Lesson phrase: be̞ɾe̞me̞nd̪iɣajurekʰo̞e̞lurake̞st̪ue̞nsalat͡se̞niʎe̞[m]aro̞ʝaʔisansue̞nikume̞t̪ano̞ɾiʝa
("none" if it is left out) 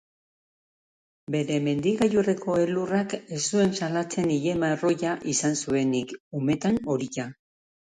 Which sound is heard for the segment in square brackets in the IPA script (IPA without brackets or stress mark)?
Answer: m